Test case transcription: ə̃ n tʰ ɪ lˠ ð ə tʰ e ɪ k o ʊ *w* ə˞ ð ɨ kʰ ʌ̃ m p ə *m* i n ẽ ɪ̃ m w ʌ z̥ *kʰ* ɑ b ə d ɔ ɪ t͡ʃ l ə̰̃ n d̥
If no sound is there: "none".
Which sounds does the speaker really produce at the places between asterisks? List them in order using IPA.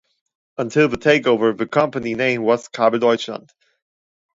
v, n, kʰ

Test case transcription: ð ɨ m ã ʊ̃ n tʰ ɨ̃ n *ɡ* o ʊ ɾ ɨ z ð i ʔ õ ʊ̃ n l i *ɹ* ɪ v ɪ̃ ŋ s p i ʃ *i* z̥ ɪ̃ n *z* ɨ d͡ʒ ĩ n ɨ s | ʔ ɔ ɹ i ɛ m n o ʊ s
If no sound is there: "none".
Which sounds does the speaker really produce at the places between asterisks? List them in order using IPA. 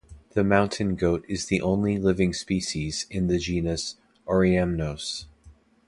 ɡ, l, i, ð

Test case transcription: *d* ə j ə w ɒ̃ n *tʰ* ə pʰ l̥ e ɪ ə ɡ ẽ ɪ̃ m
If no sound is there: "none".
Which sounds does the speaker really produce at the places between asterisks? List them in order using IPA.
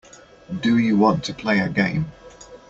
d, tʰ

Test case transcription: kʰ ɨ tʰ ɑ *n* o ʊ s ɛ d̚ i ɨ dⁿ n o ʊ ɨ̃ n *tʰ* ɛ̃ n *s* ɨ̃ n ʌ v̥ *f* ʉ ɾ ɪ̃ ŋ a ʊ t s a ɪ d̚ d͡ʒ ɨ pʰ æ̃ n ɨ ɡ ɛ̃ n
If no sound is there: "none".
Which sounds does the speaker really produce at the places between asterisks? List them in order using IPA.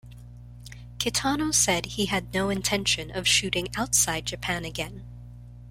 n, tʰ, ʃ, ʃ

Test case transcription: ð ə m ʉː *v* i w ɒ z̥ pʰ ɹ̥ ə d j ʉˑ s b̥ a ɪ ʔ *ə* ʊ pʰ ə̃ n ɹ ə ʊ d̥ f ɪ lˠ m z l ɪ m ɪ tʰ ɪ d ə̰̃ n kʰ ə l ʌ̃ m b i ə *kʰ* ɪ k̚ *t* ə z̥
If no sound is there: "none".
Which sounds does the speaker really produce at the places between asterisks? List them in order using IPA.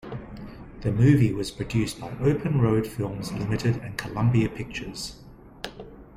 v, ə, pʰ, t͡ʃ

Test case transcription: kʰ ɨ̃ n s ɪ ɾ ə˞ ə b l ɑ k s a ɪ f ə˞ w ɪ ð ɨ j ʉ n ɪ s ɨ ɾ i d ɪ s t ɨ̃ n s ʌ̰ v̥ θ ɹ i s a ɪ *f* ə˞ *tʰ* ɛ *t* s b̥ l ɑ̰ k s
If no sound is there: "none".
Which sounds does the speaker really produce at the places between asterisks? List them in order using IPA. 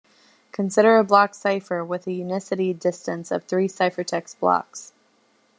f, tʰ, k

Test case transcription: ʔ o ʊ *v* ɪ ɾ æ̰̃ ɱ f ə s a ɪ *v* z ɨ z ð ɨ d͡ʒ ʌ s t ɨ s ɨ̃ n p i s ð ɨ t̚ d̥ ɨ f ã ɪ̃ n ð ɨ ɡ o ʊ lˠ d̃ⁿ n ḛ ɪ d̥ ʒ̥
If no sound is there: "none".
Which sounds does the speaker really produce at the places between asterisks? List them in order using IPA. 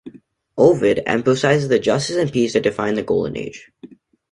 v, none

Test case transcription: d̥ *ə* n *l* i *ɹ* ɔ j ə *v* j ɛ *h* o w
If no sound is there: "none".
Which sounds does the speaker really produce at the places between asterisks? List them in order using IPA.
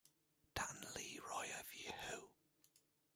a, l, ɹ, v, h

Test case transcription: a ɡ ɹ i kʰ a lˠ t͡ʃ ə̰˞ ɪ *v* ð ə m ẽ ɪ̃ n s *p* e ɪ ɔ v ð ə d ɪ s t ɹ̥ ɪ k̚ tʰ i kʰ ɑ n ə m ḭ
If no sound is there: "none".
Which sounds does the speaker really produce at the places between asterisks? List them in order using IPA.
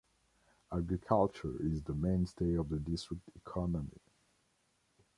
z, t

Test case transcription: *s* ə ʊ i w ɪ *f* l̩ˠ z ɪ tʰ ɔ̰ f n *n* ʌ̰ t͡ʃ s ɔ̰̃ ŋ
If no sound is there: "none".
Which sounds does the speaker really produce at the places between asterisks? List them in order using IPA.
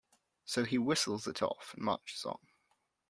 s, s, m

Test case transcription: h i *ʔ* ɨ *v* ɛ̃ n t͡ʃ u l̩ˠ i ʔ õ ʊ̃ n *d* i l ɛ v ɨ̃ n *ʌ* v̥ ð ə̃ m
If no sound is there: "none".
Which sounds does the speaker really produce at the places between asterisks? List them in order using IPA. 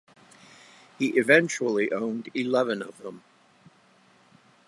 ʔ, v, d, ʌ

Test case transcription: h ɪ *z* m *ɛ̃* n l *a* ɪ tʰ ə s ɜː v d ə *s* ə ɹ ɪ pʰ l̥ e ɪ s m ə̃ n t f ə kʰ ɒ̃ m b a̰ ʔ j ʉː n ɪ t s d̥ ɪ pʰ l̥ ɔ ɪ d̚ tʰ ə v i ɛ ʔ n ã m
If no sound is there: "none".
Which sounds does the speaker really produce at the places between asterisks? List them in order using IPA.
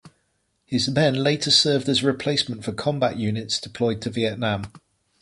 z, ɛ̃, e, z

